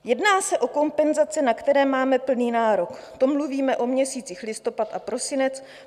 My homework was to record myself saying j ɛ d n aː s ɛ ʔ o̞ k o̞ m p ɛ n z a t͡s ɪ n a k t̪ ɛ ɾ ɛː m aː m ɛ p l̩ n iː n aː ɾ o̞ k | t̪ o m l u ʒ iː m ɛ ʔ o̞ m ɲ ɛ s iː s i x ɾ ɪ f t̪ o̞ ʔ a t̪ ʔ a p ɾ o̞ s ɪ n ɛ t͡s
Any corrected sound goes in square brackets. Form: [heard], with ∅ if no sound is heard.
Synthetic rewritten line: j ɛ d n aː s ɛ ʔ o̞ k o̞ m p ɛ n z a t͡s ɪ n a k t̪ ɛ ɾ ɛː m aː m ɛ p l̩ n iː n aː ɾ o̞ k | t̪ o m l u [v] iː m ɛ ʔ o̞ m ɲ ɛ s iː [t͡s] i x [l] ɪ [s] t̪ o̞ [p] a t̪ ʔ a p ɾ o̞ s ɪ n ɛ t͡s